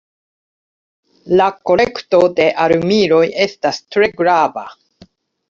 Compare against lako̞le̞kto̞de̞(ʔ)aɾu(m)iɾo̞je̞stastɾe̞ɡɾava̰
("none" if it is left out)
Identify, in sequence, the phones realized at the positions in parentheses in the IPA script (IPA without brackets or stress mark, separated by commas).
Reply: ʔ, m